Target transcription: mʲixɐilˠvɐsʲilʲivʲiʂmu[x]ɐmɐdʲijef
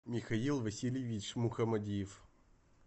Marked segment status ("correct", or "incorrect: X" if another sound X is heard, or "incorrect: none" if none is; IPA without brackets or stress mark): correct